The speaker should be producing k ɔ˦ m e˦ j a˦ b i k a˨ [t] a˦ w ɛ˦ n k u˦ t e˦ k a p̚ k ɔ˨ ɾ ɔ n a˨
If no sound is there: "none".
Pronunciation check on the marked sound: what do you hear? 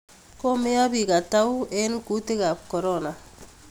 t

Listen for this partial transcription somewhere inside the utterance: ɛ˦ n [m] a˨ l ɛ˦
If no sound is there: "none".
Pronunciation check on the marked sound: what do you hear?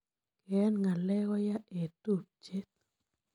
ŋ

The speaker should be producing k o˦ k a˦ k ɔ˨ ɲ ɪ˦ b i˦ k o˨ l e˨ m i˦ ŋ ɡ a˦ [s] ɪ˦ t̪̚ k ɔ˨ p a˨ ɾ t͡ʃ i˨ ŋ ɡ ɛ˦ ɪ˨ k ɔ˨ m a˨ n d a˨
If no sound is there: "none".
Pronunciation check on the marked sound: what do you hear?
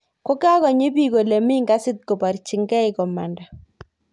s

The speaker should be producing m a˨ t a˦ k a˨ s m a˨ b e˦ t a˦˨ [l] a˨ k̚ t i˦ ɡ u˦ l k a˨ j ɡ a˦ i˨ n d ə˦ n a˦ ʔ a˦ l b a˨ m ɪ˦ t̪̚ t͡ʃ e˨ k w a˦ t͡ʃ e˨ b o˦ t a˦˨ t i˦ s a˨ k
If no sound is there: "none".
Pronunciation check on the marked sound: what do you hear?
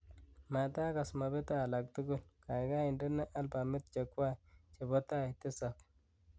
l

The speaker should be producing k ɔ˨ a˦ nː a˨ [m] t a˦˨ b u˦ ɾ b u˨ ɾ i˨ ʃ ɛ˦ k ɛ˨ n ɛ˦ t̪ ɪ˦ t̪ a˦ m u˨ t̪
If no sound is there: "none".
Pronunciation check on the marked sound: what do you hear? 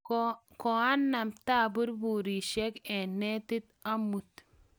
m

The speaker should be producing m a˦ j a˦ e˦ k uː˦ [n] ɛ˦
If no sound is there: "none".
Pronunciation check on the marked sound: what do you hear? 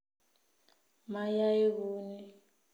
n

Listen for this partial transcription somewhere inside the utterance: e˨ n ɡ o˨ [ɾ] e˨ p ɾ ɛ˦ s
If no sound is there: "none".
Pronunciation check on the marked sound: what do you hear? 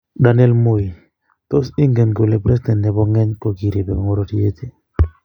l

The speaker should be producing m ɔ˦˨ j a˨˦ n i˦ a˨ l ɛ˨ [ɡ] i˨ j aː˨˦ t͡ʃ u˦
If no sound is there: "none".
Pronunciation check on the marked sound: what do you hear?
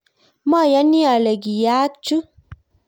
ɡ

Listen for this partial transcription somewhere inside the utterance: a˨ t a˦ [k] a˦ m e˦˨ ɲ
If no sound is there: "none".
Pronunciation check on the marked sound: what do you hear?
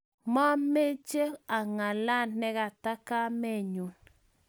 k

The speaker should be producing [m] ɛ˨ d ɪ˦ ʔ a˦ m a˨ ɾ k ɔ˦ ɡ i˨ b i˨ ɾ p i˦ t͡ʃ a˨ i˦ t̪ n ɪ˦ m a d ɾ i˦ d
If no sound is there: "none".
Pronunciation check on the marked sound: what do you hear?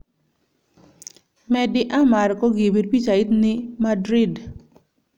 m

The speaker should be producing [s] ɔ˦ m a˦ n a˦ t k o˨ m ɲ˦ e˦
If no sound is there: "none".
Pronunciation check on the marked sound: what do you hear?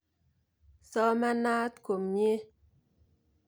s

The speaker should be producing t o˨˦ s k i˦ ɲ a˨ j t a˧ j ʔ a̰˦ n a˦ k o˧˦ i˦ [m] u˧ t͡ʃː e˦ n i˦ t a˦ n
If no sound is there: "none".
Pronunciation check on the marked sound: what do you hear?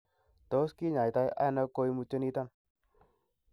m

